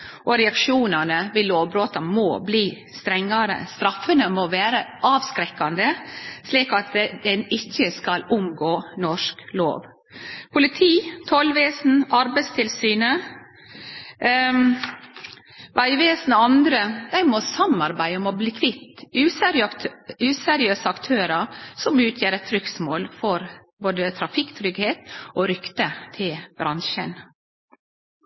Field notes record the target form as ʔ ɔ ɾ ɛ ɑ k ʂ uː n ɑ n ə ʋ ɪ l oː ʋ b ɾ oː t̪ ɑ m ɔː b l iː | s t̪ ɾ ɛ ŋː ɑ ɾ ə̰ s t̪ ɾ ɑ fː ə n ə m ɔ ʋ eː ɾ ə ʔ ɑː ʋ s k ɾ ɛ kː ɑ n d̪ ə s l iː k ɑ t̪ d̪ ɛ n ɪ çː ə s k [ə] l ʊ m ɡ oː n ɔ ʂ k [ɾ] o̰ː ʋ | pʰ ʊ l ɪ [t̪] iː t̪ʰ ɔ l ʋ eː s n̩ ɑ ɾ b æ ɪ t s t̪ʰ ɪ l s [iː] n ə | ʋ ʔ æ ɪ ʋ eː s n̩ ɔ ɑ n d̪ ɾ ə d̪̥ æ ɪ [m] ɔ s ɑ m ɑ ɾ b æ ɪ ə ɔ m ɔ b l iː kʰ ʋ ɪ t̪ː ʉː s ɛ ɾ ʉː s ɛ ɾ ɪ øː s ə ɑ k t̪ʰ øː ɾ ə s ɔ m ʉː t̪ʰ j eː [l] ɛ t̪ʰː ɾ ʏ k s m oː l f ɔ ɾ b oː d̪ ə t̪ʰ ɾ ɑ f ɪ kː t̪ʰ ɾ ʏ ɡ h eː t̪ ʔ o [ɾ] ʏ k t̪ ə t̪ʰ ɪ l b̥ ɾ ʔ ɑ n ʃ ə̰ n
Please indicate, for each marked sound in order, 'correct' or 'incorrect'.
incorrect: ɑ, incorrect: l, incorrect: t̪ʰ, incorrect: yː, correct, incorrect: ɾ, correct

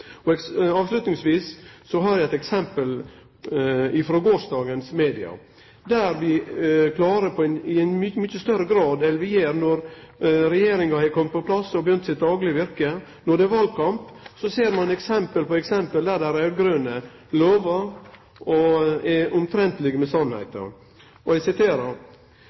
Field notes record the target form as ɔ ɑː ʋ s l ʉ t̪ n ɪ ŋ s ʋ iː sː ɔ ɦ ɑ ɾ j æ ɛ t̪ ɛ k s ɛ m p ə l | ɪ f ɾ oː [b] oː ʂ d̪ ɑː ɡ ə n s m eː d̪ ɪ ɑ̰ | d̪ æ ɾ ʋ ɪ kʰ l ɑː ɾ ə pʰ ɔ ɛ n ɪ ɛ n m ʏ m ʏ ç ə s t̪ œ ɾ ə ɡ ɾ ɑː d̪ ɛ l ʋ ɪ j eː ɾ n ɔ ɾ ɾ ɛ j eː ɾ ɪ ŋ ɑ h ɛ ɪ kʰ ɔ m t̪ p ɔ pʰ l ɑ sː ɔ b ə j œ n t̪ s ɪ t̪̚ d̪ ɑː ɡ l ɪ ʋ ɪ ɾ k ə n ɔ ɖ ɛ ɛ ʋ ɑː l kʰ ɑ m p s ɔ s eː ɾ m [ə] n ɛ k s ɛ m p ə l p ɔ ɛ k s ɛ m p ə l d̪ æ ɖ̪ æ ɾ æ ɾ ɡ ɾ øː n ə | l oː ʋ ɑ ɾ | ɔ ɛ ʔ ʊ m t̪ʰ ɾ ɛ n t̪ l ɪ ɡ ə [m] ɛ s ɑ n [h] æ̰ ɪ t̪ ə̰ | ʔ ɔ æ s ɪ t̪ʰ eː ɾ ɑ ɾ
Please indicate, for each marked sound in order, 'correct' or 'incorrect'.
incorrect: ɡ, incorrect: ɑ, correct, correct

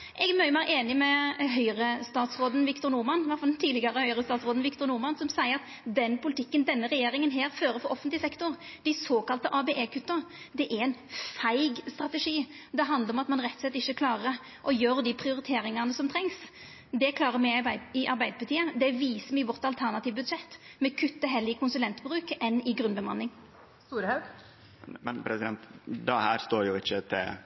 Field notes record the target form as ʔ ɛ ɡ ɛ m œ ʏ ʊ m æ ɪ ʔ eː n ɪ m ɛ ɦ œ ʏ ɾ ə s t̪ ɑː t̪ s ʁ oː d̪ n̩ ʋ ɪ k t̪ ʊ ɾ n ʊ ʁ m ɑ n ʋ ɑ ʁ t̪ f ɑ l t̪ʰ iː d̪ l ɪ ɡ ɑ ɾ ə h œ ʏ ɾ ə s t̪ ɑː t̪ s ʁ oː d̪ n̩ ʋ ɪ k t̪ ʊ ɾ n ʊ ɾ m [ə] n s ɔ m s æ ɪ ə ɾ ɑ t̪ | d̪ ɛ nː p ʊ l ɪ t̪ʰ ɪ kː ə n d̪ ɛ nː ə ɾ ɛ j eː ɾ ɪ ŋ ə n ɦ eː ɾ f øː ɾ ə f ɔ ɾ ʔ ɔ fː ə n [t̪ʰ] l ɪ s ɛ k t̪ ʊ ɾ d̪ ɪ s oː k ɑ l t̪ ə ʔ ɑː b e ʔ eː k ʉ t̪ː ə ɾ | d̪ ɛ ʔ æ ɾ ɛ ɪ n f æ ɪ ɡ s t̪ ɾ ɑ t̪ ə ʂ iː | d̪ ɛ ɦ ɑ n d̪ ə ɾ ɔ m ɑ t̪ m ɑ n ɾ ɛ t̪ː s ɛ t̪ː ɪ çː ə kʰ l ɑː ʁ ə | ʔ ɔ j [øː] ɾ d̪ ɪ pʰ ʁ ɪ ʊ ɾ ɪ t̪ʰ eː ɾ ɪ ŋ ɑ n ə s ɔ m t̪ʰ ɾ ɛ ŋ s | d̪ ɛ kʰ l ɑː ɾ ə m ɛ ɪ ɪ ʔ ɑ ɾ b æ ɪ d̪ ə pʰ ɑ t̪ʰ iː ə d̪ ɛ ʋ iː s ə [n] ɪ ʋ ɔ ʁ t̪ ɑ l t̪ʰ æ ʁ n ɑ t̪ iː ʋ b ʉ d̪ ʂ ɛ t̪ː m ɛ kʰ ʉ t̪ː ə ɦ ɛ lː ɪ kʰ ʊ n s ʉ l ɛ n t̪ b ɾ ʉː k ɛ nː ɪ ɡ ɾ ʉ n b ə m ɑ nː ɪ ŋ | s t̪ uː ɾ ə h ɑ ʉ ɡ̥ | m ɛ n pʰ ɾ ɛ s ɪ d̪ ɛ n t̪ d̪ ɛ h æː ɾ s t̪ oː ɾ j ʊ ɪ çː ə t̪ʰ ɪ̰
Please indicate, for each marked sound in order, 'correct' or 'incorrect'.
incorrect: ɑ, incorrect: t̪, correct, incorrect: m

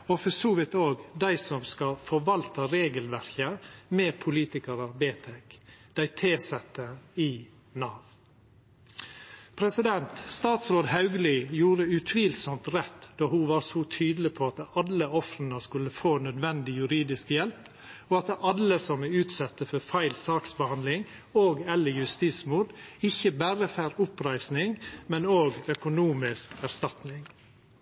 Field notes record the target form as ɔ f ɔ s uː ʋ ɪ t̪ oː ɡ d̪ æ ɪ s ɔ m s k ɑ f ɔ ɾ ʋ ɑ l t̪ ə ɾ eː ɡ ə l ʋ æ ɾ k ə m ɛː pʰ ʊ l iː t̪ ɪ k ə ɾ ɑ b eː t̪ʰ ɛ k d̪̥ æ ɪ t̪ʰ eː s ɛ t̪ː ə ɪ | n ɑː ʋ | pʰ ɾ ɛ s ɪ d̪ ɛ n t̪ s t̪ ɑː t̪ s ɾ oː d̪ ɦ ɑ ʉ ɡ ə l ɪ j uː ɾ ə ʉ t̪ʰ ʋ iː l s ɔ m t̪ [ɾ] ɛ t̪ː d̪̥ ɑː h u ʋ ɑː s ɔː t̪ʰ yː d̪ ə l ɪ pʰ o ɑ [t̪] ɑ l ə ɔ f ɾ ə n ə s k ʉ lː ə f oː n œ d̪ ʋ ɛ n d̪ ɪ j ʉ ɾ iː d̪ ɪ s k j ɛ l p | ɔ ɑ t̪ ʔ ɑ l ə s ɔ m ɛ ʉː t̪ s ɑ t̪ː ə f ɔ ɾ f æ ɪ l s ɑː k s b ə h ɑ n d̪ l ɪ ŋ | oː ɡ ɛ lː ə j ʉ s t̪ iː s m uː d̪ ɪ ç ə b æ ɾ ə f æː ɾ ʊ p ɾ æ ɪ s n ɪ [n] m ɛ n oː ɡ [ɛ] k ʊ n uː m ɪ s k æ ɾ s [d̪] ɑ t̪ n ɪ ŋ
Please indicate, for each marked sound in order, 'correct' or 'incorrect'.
correct, correct, incorrect: ŋ, incorrect: œ, incorrect: t̪

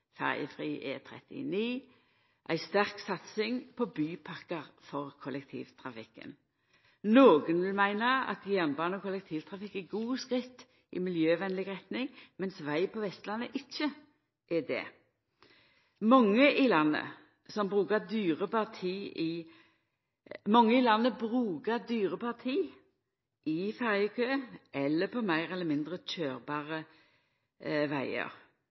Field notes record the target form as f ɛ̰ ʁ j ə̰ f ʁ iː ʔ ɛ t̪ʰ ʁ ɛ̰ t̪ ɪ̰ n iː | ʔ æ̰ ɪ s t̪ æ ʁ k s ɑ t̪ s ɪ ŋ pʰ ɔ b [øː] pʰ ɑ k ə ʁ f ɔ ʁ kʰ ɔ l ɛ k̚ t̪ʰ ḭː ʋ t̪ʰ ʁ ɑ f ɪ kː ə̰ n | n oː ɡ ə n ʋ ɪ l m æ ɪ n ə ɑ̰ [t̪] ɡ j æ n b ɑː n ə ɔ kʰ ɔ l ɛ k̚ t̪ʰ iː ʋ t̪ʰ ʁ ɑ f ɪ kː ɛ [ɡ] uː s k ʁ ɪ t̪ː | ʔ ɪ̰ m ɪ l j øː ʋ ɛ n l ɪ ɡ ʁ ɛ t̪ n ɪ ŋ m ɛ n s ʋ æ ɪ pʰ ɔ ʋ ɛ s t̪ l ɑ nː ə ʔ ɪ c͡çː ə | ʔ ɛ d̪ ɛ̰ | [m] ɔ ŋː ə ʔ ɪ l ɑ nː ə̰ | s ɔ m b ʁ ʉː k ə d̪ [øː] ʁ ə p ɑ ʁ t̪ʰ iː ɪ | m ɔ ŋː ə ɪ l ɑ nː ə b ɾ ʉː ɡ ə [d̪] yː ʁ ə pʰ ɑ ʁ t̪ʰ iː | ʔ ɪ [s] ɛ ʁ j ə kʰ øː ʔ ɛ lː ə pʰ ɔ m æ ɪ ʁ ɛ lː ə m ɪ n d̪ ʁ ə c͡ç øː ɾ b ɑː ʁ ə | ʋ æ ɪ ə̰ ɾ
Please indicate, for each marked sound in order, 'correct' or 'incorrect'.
incorrect: yː, correct, correct, correct, incorrect: yː, correct, incorrect: f

